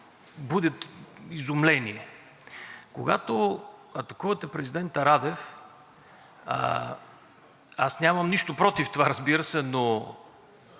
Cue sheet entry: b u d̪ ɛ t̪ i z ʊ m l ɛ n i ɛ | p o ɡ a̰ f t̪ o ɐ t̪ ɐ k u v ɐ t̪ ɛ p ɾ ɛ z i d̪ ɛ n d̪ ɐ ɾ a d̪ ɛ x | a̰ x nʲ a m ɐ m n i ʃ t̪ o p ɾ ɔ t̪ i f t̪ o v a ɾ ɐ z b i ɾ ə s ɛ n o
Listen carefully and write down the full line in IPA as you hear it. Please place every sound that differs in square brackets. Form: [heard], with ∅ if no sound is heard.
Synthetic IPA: b u d̪ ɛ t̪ i z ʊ m l ɛ n i ɛ | [k] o ɡ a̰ [∅] t̪ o ɐ t̪ ɐ k u v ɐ t̪ ɛ p ɾ ɛ z i d̪ ɛ n [t̪] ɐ ɾ a d̪ ɛ [f] | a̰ [s] nʲ a m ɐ m n i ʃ t̪ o p ɾ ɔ t̪ i f t̪ o v a ɾ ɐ z b i ɾ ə s ɛ n o